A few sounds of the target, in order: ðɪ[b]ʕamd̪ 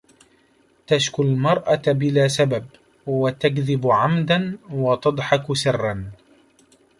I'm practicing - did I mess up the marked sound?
no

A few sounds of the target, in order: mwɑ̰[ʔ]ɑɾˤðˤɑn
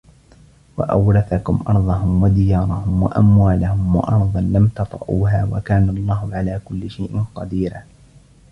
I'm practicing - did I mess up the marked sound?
no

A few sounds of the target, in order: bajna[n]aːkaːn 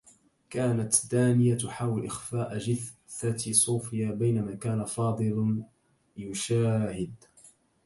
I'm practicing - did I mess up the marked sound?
yes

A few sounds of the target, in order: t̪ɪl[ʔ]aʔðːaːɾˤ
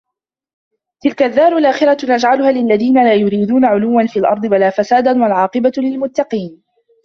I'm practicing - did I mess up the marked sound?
yes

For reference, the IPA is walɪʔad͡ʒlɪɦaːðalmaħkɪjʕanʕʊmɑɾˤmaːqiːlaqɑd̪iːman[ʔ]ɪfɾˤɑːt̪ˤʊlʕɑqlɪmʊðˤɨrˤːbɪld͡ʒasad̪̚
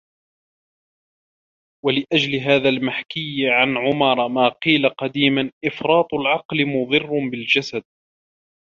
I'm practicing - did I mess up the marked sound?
no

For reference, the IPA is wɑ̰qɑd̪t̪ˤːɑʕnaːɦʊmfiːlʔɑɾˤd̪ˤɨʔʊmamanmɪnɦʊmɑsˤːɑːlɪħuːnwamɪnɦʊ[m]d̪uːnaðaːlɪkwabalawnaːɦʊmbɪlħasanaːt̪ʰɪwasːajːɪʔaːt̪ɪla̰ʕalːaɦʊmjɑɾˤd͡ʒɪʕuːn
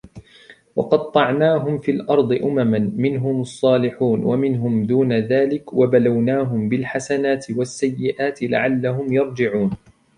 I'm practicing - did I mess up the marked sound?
no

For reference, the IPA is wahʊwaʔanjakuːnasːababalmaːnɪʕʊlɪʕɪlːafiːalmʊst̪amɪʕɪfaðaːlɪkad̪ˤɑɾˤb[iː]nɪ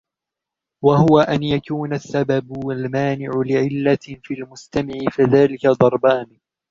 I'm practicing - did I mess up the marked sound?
yes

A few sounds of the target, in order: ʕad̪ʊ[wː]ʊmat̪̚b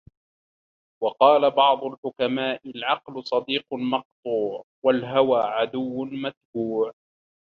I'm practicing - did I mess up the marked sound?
no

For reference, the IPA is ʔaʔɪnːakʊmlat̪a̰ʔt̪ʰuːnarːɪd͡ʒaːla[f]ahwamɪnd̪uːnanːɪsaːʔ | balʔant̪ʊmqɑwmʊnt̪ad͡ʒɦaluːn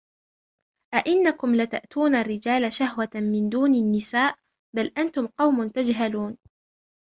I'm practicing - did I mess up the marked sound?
yes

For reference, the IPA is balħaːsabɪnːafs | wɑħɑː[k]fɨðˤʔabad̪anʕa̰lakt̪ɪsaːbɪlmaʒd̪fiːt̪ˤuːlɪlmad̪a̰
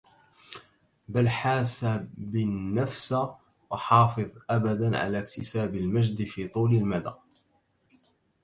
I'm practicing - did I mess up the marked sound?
yes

